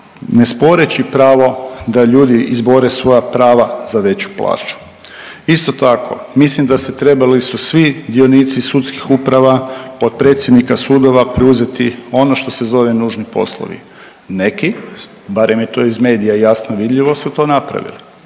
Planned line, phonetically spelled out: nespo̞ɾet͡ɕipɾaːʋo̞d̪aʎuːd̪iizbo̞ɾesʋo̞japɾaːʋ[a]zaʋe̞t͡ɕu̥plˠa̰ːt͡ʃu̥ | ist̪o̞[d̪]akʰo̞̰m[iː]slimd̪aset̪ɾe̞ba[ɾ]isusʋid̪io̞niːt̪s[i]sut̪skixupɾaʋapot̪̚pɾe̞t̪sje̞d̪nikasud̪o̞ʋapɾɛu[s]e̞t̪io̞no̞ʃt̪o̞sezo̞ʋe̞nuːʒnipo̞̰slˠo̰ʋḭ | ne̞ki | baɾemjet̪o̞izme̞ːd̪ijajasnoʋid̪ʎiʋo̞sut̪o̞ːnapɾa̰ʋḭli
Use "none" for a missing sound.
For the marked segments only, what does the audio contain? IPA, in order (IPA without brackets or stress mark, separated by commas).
a, t̪, i, l, i, z